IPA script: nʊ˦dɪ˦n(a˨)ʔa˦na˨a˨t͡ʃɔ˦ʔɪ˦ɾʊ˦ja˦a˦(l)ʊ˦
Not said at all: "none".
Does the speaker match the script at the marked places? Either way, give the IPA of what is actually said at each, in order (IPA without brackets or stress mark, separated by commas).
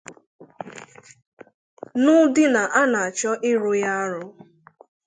a˨, ɾ